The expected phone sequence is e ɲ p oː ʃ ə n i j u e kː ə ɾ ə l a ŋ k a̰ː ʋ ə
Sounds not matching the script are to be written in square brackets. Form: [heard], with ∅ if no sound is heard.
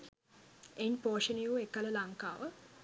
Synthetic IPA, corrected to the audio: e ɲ p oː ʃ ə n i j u e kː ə [l] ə l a ŋ k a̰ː ʋ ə